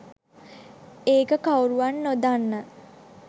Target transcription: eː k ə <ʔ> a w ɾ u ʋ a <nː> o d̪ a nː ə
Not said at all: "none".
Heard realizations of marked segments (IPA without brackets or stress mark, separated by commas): k, nː